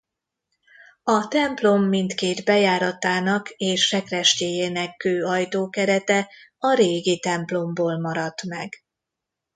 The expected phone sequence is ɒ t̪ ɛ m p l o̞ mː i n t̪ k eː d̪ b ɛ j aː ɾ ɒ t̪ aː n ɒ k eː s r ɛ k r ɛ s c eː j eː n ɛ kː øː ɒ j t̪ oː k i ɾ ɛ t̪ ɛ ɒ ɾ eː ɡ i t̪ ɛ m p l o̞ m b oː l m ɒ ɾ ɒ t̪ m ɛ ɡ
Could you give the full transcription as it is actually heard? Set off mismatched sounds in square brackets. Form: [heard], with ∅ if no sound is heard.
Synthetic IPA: ɒ t̪ ɛ m p l o̞ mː i n t̪ k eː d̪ b ɛ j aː ɾ ɒ t̪ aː n ɒ k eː [ʃ] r ɛ k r ɛ [ʃ] c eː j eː n ɛ kː øː ɒ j t̪ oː k [ɛ] ɾ ɛ t̪ ɛ ɒ ɾ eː ɡ i t̪ ɛ m p l o̞ m b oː l m ɒ ɾ ɒ t̪ m ɛ ɡ